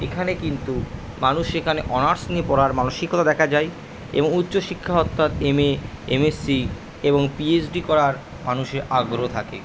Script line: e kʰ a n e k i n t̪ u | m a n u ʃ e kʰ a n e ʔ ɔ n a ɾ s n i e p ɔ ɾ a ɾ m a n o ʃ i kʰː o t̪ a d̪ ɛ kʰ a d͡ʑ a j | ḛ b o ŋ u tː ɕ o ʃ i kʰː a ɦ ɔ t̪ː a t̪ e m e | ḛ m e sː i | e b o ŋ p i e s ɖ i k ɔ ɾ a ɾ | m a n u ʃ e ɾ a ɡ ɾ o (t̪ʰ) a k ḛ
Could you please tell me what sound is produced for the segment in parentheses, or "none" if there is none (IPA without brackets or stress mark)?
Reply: t̪ʰ